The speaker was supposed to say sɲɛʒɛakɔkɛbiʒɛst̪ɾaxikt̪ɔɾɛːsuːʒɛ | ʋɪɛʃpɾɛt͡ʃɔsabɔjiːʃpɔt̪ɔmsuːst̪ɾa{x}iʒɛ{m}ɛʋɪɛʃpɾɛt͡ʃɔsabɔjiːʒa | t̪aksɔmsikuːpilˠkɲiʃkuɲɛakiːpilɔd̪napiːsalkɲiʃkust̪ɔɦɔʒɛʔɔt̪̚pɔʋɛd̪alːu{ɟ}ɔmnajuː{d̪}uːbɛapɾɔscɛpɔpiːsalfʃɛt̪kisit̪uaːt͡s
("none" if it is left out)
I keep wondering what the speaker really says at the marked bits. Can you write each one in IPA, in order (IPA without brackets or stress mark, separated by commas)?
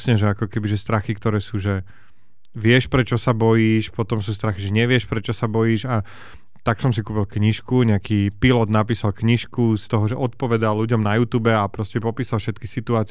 x, ɲ, ɟ, t̪